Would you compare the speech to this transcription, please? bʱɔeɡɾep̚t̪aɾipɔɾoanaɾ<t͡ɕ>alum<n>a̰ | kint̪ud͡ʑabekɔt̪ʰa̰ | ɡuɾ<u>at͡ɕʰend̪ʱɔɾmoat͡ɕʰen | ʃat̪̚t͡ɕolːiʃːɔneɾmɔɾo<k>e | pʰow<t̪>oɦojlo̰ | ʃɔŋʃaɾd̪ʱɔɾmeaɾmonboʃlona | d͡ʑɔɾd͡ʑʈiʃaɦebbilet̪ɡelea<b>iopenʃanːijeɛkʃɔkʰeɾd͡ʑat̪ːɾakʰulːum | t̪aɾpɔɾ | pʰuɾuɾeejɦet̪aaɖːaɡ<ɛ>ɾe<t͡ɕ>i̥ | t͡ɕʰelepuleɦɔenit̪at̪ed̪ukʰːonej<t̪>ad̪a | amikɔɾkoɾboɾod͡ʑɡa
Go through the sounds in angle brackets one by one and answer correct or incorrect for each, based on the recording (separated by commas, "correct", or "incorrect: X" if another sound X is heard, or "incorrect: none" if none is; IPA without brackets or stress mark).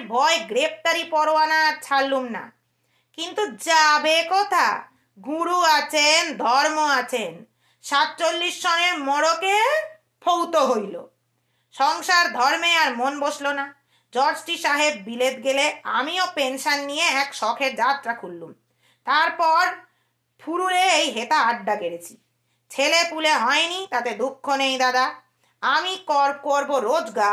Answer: incorrect: t͡ɕʰ, correct, correct, correct, correct, incorrect: m, incorrect: e, incorrect: t͡ɕʰ, incorrect: d̪